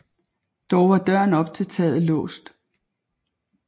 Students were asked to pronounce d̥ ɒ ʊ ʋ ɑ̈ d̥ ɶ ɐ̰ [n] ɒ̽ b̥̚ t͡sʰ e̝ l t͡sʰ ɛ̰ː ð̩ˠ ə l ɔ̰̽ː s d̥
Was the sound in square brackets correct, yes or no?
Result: yes